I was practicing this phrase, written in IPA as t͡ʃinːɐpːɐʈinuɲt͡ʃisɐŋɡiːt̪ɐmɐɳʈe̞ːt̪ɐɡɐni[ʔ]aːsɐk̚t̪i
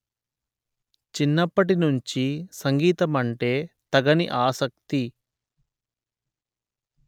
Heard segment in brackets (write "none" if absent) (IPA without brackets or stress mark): ʔ